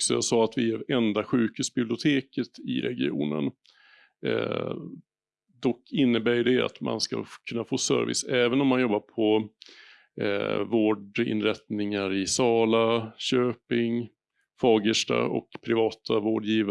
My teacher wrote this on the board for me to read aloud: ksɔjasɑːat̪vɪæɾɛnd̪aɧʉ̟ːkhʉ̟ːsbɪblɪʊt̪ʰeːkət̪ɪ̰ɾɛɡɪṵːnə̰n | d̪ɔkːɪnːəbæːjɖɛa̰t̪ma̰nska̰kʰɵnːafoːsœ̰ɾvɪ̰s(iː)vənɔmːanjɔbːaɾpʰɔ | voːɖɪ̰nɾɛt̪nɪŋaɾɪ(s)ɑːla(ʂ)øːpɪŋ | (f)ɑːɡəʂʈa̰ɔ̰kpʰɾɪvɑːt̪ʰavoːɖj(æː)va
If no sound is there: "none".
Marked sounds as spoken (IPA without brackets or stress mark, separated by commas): ɛː, s, ɕ, f, iː